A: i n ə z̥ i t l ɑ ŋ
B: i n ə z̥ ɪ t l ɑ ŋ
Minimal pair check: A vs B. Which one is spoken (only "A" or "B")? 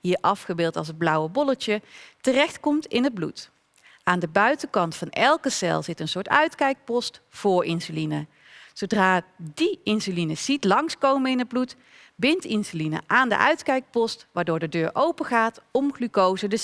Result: A